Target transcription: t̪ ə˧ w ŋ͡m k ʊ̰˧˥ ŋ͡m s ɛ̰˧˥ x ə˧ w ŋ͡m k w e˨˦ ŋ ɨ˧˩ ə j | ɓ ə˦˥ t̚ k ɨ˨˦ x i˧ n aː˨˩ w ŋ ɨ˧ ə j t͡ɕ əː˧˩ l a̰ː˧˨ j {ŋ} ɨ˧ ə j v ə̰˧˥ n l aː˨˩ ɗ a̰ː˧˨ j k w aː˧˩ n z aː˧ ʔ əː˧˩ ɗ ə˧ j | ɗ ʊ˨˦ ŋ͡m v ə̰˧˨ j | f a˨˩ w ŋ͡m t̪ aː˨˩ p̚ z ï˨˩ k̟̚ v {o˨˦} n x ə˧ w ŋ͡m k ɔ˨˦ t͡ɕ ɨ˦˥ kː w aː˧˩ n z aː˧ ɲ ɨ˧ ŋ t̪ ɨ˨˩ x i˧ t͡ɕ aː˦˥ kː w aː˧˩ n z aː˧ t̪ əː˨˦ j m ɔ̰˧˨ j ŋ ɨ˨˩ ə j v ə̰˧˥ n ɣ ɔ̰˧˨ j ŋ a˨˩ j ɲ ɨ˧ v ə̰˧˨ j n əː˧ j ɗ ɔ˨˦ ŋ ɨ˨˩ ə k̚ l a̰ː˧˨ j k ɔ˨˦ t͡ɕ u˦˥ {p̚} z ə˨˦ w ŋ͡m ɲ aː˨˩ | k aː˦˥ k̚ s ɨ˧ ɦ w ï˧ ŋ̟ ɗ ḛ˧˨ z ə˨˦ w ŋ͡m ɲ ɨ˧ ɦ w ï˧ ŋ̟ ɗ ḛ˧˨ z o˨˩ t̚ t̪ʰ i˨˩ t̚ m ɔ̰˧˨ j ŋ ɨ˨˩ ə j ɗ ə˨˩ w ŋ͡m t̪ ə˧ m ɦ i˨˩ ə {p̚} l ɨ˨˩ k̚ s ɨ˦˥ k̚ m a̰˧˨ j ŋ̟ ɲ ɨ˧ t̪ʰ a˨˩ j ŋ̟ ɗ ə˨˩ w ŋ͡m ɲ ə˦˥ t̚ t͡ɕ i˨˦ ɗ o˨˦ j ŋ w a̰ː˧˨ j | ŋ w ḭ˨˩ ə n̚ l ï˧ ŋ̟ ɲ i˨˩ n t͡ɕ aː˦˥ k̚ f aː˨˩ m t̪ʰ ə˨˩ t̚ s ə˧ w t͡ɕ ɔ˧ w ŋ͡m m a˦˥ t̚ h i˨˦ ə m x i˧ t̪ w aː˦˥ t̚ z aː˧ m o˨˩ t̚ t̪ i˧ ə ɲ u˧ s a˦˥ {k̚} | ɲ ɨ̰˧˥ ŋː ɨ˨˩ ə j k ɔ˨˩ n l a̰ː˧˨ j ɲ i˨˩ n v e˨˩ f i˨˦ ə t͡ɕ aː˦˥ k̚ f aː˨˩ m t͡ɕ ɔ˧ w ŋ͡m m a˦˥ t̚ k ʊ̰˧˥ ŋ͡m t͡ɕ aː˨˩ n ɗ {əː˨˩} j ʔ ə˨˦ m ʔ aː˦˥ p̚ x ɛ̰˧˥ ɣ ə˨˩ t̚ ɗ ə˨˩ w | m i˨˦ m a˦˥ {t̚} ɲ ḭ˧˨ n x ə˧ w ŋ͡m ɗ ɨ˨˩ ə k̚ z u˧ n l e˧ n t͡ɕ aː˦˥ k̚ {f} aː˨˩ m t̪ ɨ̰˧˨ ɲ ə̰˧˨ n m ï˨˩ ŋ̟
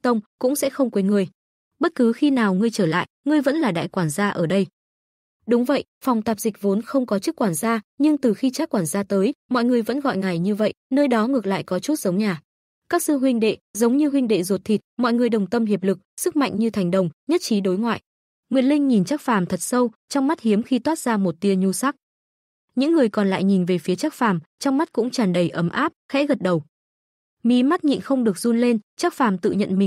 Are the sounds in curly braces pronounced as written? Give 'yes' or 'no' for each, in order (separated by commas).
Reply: yes, yes, no, yes, yes, no, yes, yes